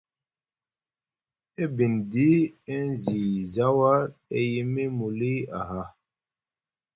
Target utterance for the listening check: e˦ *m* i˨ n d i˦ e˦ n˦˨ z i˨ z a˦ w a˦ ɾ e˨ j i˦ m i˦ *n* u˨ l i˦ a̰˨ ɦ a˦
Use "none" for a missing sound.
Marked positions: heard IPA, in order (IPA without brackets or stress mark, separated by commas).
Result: b, m